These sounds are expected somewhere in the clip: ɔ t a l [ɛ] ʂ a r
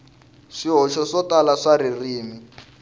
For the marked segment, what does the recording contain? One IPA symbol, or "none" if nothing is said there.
a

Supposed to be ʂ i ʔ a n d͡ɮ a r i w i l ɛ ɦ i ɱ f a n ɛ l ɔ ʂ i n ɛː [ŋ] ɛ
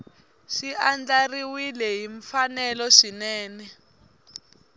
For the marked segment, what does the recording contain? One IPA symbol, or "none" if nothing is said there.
n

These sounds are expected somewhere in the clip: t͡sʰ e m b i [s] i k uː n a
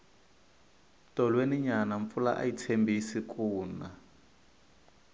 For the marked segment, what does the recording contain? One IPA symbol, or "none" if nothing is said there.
s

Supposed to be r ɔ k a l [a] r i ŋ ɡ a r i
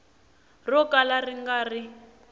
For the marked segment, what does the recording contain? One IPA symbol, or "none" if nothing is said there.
a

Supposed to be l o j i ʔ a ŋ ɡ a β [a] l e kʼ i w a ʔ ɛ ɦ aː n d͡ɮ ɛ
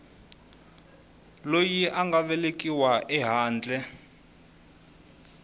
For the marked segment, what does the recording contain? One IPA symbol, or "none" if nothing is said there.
ɛ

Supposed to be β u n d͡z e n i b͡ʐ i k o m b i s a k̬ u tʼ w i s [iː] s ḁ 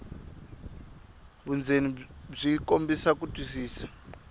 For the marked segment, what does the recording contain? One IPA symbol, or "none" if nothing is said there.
iː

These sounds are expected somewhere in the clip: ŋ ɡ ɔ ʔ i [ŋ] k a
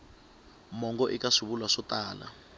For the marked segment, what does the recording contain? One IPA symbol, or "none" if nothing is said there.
none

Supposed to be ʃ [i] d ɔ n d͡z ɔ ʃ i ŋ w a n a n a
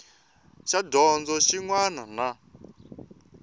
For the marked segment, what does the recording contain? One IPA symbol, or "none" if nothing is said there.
a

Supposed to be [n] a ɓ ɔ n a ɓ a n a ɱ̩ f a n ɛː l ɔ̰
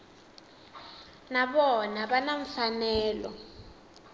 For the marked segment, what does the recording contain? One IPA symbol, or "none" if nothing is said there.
n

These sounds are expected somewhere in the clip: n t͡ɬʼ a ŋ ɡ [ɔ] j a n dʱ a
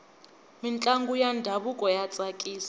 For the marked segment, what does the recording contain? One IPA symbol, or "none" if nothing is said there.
u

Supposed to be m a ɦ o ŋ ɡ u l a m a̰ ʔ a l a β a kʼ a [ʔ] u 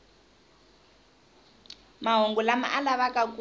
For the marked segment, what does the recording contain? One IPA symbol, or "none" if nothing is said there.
k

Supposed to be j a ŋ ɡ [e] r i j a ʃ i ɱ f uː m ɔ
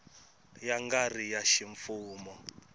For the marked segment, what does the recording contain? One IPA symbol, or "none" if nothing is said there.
a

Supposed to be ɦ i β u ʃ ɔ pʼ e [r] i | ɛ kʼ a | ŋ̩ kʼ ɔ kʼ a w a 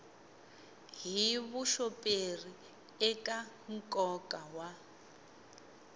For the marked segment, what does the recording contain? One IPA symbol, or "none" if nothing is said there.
r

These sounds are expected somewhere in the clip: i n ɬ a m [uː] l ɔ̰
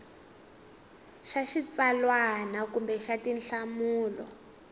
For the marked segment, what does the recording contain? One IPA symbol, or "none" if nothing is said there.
uː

